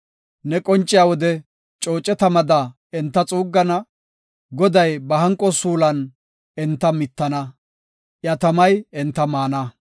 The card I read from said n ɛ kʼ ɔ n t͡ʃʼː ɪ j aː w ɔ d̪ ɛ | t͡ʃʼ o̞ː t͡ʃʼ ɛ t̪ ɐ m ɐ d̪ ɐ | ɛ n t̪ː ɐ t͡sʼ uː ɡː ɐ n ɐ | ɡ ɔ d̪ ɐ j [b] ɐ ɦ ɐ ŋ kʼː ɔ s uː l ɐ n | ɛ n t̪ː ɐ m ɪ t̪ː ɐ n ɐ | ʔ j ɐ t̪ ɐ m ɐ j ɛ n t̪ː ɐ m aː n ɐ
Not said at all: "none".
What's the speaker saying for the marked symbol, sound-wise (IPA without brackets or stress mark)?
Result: b